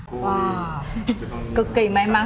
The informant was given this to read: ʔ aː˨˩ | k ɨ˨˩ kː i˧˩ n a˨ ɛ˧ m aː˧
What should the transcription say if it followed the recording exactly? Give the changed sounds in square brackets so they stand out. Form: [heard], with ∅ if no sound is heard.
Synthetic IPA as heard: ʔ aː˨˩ | k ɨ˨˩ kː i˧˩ [m] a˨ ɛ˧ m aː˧